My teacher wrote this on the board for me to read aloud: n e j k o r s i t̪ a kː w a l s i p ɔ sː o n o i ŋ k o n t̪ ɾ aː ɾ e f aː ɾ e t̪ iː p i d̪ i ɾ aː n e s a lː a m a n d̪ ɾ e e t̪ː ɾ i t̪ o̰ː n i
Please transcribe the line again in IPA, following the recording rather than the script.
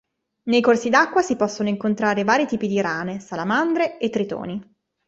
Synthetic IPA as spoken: n e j k o r s i d̪ a kː w a s i p ɔ sː o n o i ŋ k o n t̪ ɾ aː ɾ e v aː ɾ i t̪ iː p i d̪ i ɾ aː n e s a l a m a n d̪ ɾ e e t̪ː ɾ i t̪ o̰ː n i